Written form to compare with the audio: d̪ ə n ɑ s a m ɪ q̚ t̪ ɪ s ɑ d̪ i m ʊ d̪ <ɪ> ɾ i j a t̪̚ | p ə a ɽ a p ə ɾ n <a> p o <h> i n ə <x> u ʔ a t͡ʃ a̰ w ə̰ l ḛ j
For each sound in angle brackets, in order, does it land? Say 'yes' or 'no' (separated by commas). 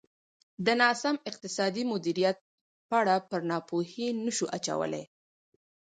no, no, yes, no